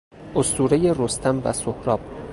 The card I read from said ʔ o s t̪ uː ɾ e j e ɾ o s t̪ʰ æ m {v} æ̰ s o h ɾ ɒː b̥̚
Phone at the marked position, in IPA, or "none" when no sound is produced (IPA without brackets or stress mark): v